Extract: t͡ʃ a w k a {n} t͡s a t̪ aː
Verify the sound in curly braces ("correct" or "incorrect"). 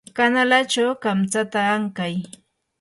incorrect